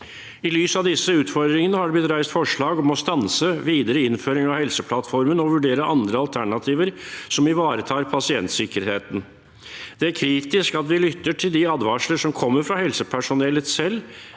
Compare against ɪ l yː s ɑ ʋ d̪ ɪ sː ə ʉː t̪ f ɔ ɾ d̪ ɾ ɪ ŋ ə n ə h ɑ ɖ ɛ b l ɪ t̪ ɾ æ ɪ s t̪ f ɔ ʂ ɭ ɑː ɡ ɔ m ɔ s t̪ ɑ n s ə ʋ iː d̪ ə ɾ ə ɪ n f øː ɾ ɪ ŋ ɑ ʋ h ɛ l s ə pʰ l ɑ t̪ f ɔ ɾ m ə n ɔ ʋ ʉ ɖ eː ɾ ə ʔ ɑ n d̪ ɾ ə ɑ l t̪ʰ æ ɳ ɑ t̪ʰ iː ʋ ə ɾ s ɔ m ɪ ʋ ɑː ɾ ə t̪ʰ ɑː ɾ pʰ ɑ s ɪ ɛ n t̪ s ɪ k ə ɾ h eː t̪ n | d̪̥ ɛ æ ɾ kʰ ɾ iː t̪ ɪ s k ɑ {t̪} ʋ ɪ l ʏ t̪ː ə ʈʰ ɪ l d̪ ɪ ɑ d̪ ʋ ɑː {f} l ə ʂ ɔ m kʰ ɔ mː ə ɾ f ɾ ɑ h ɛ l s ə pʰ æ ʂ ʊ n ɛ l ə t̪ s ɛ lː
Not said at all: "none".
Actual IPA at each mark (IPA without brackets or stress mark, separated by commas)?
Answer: t̪, ʂ